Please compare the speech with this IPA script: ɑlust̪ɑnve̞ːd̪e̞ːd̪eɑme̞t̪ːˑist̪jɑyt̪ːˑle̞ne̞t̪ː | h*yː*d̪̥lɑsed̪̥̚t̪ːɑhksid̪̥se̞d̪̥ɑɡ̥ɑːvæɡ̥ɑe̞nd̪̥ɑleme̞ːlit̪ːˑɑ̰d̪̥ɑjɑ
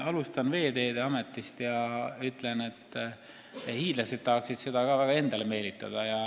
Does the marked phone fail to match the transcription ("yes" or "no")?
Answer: yes